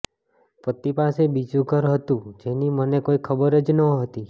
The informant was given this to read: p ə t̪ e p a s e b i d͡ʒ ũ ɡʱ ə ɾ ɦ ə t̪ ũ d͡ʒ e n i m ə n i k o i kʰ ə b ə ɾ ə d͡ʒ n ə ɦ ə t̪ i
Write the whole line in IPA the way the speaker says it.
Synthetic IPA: p ə t̪ i p a s e b i d͡ʒ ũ ɡʱ ə ɾ ɦ ə t̪ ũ d͡ʒ e n i m ə n e k o i kʰ ə b ə ɾ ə d͡ʒ n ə ɦ ə t̪ i